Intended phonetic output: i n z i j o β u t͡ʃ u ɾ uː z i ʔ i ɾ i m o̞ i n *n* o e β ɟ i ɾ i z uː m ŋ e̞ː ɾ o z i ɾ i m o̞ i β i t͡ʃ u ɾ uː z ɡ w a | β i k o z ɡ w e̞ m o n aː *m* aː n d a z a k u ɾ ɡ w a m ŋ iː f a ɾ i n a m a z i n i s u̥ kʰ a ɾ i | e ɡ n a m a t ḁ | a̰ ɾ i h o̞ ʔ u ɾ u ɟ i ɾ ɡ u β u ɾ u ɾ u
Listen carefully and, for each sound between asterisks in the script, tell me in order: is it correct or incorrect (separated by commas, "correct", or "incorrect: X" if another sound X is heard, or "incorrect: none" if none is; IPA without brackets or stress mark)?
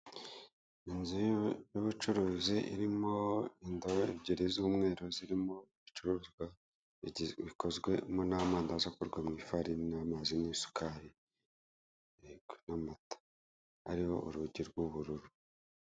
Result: incorrect: d, correct